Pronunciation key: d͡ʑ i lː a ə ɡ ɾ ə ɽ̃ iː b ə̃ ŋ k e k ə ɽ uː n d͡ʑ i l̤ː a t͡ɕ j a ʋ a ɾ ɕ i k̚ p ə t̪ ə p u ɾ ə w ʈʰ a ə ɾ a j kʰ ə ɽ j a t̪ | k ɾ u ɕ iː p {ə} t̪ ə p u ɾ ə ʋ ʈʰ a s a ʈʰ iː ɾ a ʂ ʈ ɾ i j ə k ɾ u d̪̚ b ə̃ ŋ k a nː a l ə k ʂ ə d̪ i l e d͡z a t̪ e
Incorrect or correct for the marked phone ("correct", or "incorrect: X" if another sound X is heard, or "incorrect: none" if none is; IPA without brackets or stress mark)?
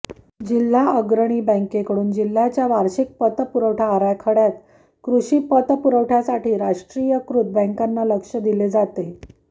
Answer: correct